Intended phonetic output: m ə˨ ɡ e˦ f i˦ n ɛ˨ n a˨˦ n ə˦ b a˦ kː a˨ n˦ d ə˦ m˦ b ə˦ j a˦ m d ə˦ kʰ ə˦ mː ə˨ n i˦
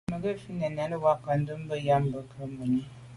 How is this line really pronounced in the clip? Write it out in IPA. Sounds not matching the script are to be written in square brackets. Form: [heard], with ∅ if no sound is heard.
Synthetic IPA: m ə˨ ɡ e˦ f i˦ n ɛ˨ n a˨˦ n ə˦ [w] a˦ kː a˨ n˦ d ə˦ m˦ b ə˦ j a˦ m [b] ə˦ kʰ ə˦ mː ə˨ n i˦